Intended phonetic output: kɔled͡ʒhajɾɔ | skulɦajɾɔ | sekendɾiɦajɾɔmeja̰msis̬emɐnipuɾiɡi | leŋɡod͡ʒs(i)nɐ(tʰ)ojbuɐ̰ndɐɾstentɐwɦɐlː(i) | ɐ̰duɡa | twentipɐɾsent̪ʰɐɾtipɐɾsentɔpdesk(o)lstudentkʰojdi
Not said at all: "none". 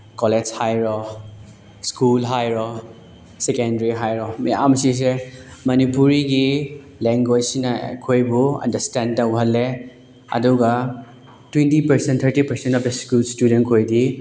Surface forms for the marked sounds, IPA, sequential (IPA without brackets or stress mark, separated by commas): i, kʰ, e, u